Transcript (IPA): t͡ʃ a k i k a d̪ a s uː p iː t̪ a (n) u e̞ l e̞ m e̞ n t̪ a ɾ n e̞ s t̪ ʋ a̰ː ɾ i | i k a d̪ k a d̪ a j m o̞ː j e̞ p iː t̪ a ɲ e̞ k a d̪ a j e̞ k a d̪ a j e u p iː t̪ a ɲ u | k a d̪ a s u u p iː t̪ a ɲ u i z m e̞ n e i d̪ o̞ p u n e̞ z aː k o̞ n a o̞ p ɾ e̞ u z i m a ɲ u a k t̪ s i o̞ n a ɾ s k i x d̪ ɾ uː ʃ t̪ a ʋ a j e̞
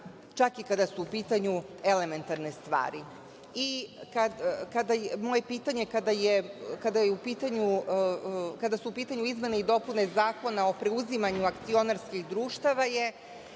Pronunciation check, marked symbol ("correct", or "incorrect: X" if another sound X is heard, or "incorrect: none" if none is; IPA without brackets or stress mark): incorrect: ɲ